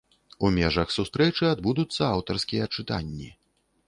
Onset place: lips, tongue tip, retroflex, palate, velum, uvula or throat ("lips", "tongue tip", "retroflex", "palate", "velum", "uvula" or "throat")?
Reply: lips